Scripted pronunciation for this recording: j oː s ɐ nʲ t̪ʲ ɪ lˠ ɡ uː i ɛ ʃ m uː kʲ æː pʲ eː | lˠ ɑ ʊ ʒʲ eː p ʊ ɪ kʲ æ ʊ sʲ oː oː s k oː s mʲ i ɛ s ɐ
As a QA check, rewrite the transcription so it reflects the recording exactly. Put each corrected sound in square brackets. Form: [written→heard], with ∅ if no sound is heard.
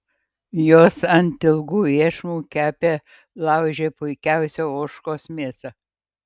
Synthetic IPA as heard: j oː s ɐ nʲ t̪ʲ ɪ lˠ ɡ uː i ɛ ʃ m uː kʲ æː pʲ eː | lˠ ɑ ʊ ʒʲ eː p ʊ ɪ kʲ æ ʊ sʲ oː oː [s→ʃ] k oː s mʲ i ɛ s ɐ